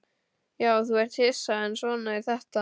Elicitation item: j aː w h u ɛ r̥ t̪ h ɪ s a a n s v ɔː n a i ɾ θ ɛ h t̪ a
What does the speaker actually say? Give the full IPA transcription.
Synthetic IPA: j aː w θ u ɛ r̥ t̪ h ɪ s a ɛ n s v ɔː n a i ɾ θ ɛ h t̪ a

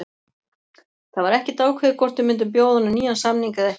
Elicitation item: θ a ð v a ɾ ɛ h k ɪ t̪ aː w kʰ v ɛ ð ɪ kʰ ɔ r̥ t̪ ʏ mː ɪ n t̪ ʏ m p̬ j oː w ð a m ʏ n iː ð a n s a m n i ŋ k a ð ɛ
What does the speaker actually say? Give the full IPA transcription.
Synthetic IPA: θ a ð v a ɾ ɛ h c ɪ t̪ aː w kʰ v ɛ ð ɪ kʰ ɔ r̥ t̪ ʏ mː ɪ n t̪ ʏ m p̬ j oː w ð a n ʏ n iː ð a n s a m n i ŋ k a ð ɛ

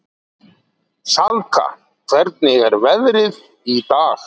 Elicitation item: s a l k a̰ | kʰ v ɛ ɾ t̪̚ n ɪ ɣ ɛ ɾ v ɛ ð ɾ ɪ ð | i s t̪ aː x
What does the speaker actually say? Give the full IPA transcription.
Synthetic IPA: s a l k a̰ | kʰ v ɛ ɾ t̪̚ n ɪ ɣ ɛ ɾ v ɛ ð ɾ ɪ ð | i t̪ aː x

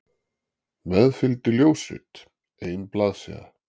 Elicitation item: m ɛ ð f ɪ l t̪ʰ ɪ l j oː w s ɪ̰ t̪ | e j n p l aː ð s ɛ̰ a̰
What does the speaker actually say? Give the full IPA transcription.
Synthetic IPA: m ɛ ð f ɪ l t̪ ɪ l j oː w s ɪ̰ t̪ | e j n p l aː ð s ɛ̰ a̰

